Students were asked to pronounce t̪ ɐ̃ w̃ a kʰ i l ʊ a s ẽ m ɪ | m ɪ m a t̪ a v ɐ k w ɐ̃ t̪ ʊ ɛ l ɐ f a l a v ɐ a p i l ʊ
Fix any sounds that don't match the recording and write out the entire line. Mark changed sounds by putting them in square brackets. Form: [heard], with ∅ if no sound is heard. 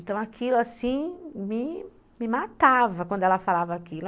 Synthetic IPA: t̪ ɐ̃ w̃ a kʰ i l ʊ a s [ĩ] m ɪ | m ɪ m a t̪ a v ɐ k w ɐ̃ [d̪] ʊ ɛ l ɐ f a l a v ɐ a [k] i l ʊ